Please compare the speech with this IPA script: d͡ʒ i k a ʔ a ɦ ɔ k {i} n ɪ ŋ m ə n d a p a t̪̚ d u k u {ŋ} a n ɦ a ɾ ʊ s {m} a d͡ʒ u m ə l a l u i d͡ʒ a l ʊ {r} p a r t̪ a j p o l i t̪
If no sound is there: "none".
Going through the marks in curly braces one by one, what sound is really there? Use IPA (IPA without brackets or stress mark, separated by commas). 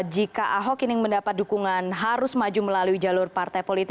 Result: i, ŋ, m, r